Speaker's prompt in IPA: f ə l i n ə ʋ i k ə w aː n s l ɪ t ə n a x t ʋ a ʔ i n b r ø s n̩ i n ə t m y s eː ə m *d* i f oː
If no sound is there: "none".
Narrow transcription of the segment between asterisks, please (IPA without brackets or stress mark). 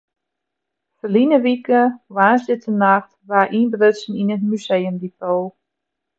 d